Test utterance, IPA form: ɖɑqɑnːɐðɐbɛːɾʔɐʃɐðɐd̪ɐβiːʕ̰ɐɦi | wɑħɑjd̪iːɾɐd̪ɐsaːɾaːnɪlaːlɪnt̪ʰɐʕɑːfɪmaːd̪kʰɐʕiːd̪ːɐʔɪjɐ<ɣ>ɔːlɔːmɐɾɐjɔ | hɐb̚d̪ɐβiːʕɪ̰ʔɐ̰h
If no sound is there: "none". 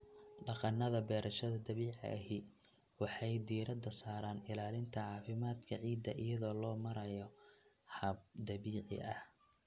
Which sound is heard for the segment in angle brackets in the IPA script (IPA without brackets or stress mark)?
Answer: ð